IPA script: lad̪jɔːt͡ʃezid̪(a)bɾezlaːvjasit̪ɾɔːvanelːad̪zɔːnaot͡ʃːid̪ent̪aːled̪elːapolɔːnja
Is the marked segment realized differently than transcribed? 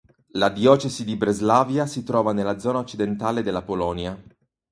yes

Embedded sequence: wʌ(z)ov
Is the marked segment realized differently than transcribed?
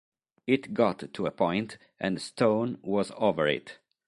no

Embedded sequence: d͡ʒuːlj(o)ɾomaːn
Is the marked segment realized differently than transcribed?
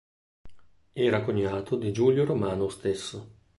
no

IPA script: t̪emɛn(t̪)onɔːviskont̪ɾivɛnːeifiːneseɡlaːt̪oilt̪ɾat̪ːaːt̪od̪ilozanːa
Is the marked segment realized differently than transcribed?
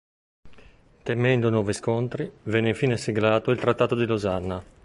yes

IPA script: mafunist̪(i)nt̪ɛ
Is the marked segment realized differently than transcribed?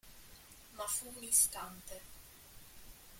yes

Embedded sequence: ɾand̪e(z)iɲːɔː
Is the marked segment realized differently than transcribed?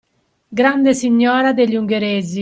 yes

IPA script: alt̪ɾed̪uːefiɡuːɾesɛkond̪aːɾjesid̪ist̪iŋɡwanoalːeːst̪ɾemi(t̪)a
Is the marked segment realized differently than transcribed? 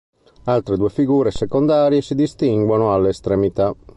no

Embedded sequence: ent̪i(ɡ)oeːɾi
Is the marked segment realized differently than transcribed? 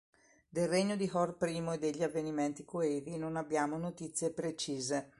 yes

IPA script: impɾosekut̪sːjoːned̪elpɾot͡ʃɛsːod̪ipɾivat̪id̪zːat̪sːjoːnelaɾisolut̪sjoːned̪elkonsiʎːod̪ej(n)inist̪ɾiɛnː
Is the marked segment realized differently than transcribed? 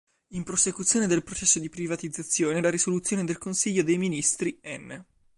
yes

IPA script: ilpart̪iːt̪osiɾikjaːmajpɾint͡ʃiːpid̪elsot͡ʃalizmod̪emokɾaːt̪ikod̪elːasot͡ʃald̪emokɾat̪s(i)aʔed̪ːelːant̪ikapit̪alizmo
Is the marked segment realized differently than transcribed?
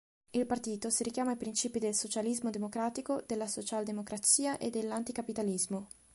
yes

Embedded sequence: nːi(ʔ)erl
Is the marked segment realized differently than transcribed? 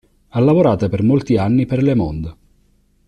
yes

